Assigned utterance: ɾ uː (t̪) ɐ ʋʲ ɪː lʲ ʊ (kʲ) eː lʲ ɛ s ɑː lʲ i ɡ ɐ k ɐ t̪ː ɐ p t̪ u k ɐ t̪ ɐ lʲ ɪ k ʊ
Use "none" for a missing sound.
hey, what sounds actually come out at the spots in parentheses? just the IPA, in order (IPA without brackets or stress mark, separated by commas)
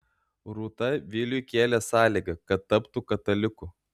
t̪, kʲ